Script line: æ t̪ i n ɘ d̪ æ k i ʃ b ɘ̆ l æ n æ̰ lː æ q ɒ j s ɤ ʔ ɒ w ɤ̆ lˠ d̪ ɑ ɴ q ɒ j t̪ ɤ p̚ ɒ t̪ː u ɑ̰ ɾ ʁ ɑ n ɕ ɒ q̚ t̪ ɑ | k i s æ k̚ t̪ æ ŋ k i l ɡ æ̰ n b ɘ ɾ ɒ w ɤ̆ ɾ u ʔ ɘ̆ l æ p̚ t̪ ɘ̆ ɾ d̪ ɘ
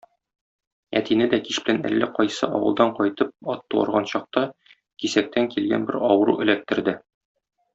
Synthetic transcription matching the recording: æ t̪ i n ɘ d̪ æ k i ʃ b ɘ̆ l æ n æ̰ lː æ q ɒ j s ɤ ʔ ɒ w ɤ̆ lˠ d̪ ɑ ɴ q ɒ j t̪ ɤ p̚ ɒ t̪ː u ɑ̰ ɾ ʁ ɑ n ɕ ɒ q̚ t̪ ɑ | k i s æ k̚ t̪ æ ŋ k i l ɡ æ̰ n b ɘ ɾ ɒ w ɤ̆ ɾ u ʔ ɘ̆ l æ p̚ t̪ ɘ̆ ɾ d̪ ɘ

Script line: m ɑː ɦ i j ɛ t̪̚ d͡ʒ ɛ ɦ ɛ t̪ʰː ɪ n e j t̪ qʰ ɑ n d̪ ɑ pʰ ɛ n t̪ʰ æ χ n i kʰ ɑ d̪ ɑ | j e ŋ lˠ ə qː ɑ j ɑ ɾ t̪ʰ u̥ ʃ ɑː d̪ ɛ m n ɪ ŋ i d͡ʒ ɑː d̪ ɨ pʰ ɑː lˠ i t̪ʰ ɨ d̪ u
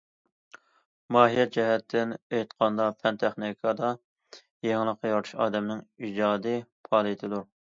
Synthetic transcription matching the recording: m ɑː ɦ i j ɛ t̪̚ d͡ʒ ɛ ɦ ɛ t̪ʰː ɪ n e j t̪ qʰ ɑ n d̪ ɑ pʰ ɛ n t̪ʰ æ χ n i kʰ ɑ d̪ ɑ | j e ŋ lˠ ə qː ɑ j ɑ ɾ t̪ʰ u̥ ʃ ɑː d̪ ɛ m n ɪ ŋ i d͡ʒ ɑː d̪ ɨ pʰ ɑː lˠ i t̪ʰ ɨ d̪ u

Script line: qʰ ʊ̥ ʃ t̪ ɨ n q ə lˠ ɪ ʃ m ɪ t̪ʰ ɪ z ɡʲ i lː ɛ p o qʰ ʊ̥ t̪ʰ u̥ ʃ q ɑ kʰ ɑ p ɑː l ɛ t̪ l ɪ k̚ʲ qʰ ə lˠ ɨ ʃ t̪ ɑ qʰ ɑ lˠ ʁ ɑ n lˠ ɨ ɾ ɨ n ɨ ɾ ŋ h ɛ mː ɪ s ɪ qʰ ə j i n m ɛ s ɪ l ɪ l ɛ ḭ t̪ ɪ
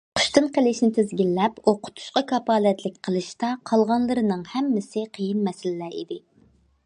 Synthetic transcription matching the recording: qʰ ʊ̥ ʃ t̪ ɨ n q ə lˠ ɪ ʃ n ɪ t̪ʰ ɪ z ɡʲ i lː ɛ p o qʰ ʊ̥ t̪ʰ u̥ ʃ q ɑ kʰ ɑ p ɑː l ɛ t̪ l ɪ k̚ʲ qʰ ə lˠ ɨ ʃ t̪ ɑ qʰ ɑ lˠ ʁ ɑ n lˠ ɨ ɾ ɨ n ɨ ŋ h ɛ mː ɪ s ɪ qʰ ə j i n m ɛ s ɪ l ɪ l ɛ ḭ d̪ ɪ

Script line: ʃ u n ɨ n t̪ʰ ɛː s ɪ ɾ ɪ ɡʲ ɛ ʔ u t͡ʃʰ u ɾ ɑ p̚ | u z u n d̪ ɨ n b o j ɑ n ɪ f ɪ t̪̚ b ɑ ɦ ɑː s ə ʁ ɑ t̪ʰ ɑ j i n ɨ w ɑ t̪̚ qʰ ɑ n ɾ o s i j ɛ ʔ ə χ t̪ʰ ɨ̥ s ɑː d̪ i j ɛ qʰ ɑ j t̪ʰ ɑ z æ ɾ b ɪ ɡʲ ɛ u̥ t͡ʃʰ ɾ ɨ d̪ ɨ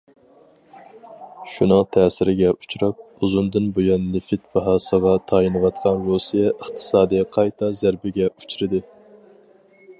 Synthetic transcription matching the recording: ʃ u n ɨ ŋ t̪ʰ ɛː s ɪ ɾ ɪ ɡʲ ɛ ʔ u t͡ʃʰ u ɾ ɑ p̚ | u z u n d̪ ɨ n b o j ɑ nː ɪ f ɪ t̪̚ b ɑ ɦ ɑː s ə ʁ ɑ t̪ʰ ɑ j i n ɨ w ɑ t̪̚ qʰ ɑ n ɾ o s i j ɛ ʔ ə χ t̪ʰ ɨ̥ s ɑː d̪ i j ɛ qʰ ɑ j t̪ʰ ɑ z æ ɾ b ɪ ɡʲ ɛ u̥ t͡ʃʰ ɾ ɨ d̪ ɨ

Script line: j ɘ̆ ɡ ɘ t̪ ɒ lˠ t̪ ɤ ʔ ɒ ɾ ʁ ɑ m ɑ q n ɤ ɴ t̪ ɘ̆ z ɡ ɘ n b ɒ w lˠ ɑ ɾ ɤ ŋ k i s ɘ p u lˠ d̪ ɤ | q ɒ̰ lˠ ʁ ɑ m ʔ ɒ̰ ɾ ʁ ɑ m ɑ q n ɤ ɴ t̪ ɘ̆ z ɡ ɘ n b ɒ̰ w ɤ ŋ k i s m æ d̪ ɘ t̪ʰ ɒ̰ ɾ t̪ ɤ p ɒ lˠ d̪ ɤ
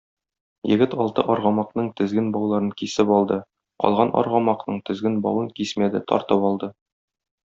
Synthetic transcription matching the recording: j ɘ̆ ɡ ɘ t̪ ɒ lˠ t̪ ɤ ʔ ɒ ɾ ʁ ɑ m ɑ q n ɤ ɴ t̪ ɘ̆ z ɡ ɘ n b ɒ w lˠ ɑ ɾ ɤ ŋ k i s ɘ p ɒ lˠ d̪ ɤ | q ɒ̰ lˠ ʁ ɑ n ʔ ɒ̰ ɾ ʁ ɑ m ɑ q n ɤ ɴ t̪ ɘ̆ z ɡ ɘ n b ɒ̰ w ɤ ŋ k i s m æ d̪ ɘ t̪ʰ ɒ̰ ɾ t̪ ɤ p ɒ lˠ d̪ ɤ

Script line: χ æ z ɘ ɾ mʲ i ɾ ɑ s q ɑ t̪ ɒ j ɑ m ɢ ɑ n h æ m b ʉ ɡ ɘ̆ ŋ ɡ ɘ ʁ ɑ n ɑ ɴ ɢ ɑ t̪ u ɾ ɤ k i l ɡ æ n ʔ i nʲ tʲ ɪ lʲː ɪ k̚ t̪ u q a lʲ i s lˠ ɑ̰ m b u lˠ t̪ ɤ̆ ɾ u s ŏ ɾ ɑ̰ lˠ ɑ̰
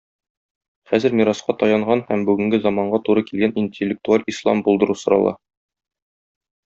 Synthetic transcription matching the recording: χ æ z ɘ ɾ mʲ i ɾ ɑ s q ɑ t̪ ɒ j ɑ ɴ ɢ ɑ n h æ m b ʉ ɡ ɘ̆ ŋ ɡ ɘ z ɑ m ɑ ɴ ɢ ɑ t̪ u ɾ ɤ k i l ɡ æ n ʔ i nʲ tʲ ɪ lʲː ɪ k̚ t̪ u a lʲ i s lˠ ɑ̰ m b u lˠ d̪ ɤ̆ ɾ u s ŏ ɾ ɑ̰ lˠ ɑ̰

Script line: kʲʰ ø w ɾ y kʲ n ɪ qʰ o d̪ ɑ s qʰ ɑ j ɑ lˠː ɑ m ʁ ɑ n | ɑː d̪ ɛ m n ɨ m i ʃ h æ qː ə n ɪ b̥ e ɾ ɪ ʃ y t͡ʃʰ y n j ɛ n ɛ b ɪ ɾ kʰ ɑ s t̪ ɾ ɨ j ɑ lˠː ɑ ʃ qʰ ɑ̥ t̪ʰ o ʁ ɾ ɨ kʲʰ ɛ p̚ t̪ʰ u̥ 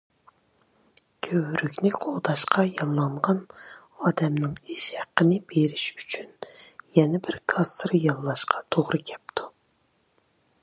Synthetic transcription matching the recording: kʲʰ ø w ɾ y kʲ n ɪ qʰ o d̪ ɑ ʃ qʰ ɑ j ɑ lˠː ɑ ɴ ʁ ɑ n | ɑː d̪ ɛ m n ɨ ŋ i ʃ h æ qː ə n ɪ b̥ e ɾ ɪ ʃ y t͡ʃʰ y n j ɛ n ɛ b ɪ ɾ kʰ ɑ s t̪ ɾ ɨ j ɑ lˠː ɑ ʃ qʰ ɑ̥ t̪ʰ o ʁ ɾ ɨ kʲʰ ɛ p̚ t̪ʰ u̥

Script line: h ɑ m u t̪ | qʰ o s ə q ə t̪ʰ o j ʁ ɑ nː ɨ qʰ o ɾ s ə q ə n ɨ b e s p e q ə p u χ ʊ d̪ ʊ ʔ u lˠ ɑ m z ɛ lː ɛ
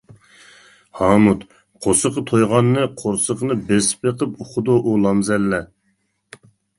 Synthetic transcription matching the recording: h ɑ m u t̪ | qʰ o s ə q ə t̪ʰ o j ʁ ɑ nː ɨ qʰ o ɾ s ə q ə n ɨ b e s p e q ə p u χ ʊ d̪ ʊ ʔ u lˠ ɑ m z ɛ lː ɛ

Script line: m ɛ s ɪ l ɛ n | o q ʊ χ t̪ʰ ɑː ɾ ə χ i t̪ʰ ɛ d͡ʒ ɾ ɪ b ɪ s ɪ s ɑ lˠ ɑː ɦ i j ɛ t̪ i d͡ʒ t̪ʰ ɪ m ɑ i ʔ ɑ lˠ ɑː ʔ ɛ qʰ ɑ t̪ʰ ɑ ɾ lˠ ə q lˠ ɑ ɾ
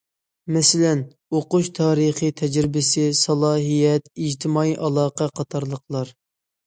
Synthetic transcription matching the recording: m ɛ s ɪ l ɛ n | o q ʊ ʃ t̪ʰ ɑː ɾ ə χ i t̪ʰ ɛ d͡ʒ ɾ ɪ b ɪ s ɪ s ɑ lˠ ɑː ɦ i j ɛ t̪ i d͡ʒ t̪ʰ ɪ m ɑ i ʔ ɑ lˠ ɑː q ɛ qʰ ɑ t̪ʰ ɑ ɾ lˠ ə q lˠ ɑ ɾ

